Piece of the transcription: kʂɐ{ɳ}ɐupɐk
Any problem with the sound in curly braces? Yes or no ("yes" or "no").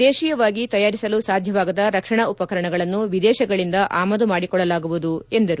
no